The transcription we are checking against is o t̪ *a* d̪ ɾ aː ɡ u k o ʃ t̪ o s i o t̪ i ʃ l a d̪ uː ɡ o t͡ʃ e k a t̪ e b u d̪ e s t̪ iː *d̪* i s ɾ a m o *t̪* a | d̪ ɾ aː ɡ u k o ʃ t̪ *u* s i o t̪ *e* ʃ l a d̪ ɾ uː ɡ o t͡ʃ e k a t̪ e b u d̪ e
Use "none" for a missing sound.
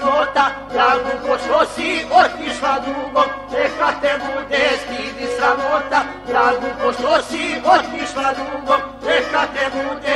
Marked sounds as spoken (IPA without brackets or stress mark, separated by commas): a, d̪, t̪, o, i